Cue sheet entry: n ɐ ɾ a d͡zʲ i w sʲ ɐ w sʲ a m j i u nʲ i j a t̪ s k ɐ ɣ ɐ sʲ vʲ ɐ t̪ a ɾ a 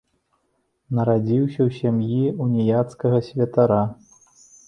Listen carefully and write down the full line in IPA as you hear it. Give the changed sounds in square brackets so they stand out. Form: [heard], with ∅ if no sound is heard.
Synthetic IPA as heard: n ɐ ɾ a d͡zʲ i w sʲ ɐ w sʲ a m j i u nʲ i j a t̪ s k ɐ ɣ ɐ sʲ vʲ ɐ t̪ a ɾ a